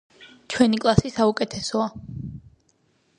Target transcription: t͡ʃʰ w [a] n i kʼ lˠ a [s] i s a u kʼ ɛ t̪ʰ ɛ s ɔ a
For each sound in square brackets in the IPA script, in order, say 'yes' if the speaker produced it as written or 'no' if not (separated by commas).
no, yes